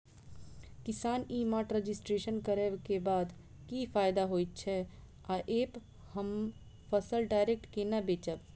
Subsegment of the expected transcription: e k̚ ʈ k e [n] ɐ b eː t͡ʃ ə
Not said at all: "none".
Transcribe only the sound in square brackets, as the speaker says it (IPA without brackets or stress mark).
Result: n